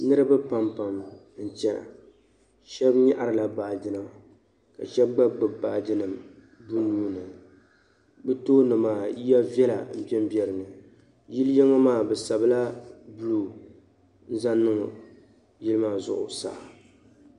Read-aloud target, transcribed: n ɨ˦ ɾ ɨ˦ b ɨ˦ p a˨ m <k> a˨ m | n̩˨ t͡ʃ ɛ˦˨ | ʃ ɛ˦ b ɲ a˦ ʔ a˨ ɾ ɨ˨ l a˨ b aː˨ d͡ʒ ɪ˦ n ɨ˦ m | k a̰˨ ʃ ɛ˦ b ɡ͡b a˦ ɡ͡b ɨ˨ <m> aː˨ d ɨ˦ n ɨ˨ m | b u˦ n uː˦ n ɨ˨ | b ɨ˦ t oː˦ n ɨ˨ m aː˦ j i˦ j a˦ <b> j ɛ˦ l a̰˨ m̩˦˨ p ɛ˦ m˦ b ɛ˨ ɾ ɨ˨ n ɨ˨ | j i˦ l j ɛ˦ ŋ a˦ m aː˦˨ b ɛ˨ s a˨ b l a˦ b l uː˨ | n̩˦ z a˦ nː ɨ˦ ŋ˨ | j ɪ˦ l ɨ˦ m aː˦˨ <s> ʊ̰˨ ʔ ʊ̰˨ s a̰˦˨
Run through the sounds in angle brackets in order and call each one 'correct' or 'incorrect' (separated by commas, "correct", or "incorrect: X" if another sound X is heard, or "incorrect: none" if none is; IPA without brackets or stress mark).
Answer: incorrect: p, incorrect: b, incorrect: v, incorrect: z